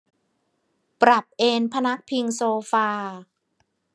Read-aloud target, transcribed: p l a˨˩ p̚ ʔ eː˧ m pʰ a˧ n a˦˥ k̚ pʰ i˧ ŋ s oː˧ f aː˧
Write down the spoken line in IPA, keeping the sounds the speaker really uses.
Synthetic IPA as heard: p ɾ a˨˩ p̚ ʔ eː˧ n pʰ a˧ n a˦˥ k̚ pʰ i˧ ŋ s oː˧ f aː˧

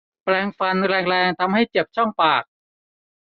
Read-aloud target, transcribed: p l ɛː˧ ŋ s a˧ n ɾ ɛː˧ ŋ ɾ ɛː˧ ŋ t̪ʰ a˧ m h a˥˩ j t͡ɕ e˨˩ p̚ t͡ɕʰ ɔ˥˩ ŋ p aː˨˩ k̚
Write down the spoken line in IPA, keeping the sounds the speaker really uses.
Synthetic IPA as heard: p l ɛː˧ ŋ f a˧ n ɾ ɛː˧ ŋ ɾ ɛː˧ ŋ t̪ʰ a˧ m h a˥˩ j t͡ɕ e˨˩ p̚ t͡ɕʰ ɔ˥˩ ŋ p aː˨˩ k̚

